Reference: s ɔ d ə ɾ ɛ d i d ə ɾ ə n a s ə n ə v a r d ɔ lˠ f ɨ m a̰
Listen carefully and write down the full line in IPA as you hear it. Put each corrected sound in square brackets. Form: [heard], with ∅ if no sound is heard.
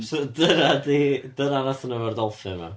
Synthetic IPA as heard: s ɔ d ə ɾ [a] d i d ə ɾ [a] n a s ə n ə v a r d ɔ lˠ f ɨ m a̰